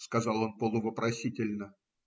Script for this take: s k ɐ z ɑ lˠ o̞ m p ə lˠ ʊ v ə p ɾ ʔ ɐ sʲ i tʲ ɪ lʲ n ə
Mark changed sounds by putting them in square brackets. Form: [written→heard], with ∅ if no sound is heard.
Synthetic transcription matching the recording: s k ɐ z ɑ lˠ o̞ [m→n] p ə lˠ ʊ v ə p ɾ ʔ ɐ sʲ i tʲ ɪ lʲ n ə